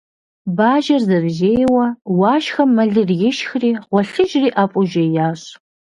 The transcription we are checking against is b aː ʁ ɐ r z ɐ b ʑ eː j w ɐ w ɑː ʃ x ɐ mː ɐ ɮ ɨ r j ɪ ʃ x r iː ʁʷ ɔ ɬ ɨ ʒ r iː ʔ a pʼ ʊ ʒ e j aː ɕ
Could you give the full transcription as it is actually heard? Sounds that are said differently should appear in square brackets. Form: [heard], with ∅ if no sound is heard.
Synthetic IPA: b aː [ʒ] ɐ r z ɐ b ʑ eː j w ɐ w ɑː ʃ x ɐ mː ɐ ɮ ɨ r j ɪ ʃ x r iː ʁʷ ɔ ɬ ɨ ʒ r iː ʔ a pʼ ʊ ʒ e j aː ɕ